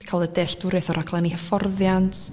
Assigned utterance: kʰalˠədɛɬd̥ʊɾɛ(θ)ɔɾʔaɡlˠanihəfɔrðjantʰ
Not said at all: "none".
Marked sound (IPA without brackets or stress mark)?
θ